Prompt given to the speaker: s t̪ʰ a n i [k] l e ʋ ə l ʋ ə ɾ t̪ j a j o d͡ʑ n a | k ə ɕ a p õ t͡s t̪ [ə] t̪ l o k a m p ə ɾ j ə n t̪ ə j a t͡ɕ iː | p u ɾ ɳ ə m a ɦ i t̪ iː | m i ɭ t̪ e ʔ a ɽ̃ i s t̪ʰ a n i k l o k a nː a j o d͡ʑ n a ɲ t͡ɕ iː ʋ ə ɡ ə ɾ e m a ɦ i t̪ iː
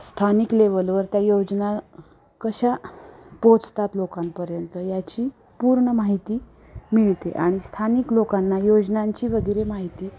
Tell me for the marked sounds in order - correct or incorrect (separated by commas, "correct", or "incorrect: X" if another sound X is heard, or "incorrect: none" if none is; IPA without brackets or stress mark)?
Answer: correct, incorrect: a